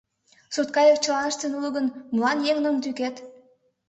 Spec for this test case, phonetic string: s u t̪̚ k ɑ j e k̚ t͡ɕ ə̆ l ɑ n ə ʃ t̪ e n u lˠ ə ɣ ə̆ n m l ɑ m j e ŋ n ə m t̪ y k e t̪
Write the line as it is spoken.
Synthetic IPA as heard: s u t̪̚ k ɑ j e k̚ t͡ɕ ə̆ l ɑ n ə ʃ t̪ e n u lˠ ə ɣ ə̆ n m l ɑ n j e ŋ n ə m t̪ y k e t̪